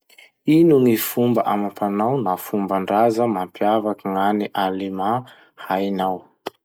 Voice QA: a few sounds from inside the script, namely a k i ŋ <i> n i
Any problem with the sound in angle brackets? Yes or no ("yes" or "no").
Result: yes